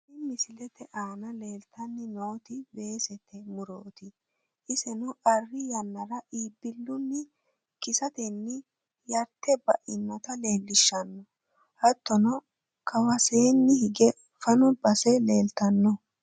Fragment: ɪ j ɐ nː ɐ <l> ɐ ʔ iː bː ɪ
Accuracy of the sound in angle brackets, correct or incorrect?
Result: incorrect: ɾ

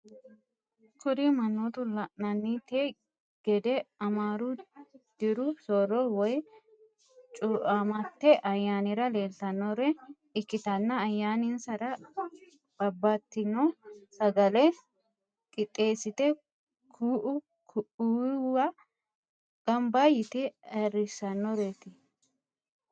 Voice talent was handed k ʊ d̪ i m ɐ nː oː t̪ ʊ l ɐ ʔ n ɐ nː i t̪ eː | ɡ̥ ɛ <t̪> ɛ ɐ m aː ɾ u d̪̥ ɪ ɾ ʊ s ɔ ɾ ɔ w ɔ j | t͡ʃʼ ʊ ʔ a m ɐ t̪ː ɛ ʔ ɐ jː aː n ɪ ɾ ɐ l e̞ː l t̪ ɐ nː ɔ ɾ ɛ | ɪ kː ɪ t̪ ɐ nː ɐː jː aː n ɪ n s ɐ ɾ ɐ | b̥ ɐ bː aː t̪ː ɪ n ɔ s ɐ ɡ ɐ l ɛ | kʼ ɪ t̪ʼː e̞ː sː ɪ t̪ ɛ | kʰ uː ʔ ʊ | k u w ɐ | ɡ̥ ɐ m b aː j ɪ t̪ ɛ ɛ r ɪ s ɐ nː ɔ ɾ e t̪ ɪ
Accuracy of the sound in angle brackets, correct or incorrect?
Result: incorrect: d̪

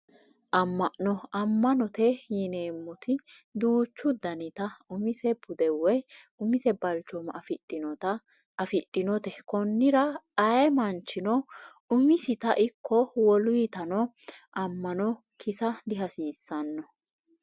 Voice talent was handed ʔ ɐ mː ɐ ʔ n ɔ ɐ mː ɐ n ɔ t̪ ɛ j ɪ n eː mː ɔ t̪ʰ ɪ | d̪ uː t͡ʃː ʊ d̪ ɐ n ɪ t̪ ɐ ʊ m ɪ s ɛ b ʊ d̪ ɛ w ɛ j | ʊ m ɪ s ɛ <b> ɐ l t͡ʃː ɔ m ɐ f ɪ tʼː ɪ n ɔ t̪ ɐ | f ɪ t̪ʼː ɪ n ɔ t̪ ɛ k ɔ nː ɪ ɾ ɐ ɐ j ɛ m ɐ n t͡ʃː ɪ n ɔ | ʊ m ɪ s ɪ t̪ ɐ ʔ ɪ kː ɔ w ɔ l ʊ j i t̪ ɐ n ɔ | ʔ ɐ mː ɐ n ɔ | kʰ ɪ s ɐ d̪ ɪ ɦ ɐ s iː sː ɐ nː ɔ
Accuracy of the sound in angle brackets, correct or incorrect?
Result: correct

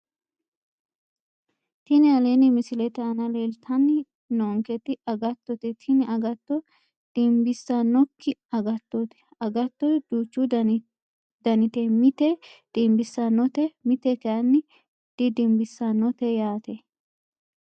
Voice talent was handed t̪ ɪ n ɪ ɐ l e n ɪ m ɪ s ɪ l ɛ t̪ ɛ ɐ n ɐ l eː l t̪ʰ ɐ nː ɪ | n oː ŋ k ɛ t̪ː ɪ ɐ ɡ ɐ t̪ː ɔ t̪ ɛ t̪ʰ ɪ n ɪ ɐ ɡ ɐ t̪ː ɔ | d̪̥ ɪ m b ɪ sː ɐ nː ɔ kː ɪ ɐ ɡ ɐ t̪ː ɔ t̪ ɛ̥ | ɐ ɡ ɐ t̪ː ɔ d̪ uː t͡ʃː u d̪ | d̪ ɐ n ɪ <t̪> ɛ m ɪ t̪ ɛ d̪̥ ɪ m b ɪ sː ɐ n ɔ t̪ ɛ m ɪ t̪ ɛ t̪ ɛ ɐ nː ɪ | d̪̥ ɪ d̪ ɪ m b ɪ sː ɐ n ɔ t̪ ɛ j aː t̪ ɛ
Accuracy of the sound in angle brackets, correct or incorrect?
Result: correct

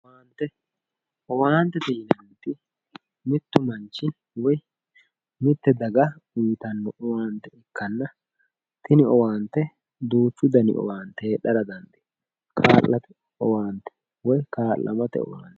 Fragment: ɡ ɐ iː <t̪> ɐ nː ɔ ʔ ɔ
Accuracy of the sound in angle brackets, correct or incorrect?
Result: correct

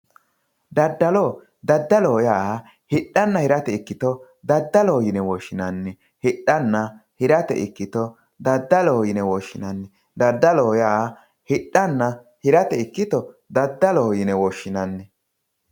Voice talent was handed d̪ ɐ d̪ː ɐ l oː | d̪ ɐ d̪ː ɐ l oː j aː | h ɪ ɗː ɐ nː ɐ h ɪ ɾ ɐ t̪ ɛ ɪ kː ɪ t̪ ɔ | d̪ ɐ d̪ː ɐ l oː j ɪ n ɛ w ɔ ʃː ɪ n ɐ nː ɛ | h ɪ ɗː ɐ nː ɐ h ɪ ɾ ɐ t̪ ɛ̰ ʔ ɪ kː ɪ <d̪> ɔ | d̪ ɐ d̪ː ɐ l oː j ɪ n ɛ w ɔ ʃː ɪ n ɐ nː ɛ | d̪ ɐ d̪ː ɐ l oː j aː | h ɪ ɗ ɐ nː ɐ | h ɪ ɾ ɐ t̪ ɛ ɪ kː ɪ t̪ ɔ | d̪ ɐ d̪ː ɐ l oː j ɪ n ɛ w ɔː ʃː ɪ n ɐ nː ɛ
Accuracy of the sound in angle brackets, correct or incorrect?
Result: incorrect: t̪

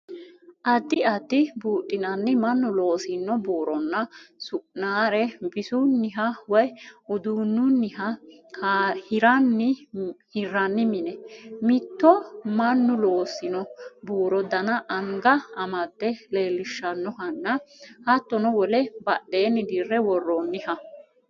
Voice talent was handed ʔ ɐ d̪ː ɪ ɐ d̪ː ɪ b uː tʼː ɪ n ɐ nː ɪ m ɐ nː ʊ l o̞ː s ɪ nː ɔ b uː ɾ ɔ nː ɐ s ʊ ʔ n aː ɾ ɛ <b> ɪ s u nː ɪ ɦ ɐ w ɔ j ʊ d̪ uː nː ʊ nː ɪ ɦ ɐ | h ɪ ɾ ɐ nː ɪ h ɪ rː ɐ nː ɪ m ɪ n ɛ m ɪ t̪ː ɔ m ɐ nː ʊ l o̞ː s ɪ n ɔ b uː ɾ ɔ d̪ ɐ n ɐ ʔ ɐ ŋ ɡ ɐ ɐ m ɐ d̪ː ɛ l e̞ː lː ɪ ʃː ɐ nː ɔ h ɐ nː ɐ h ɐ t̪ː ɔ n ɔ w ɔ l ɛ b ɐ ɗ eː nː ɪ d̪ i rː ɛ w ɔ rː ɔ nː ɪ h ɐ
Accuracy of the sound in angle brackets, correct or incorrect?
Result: correct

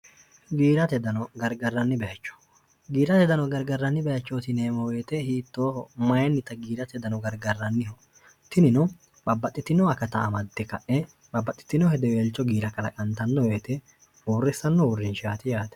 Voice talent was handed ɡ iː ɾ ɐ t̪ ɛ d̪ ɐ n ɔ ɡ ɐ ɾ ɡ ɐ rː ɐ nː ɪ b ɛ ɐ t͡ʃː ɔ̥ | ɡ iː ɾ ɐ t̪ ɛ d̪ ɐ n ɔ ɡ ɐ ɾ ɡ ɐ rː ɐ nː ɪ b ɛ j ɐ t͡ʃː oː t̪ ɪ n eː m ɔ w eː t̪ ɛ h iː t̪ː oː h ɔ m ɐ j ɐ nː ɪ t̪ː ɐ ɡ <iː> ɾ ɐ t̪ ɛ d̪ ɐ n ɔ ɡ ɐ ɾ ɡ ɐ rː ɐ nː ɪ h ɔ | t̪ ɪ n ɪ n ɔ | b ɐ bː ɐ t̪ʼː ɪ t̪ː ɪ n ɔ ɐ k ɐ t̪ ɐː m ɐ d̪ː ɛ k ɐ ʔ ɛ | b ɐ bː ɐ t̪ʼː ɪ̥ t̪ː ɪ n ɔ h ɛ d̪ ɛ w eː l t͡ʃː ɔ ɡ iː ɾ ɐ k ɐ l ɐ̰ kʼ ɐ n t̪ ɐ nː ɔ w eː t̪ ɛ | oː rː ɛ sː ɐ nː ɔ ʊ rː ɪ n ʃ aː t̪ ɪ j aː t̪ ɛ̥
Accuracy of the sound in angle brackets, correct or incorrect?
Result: correct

